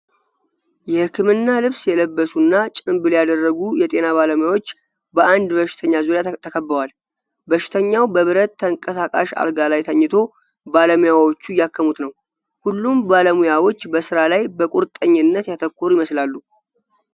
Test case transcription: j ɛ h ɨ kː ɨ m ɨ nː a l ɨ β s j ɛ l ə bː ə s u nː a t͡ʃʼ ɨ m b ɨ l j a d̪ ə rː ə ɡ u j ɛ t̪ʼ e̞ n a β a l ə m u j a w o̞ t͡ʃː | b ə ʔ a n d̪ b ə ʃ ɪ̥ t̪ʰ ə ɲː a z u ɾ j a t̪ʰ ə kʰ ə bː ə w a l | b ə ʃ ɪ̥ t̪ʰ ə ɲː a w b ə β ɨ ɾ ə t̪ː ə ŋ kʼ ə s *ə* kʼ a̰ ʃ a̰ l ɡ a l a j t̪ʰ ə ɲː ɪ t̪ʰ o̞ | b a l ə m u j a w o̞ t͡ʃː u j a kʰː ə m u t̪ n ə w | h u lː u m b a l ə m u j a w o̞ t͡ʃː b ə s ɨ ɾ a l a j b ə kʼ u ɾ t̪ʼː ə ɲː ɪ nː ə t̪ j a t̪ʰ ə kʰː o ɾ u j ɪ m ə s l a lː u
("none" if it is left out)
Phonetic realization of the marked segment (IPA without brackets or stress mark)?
a